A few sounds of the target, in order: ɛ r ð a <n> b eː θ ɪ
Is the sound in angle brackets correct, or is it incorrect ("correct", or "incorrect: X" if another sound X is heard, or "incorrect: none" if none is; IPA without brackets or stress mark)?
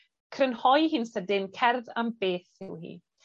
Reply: incorrect: m